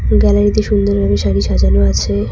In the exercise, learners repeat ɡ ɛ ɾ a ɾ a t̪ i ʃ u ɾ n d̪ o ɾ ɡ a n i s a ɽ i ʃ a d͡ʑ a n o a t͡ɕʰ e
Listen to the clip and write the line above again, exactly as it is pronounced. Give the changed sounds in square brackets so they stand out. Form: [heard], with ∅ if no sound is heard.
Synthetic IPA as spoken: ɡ ɛ [l] a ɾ [i] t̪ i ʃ u [∅] n d̪ o ɾ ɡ a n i [ʃ] a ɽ i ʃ a d͡ʑ a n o a t͡ɕʰ e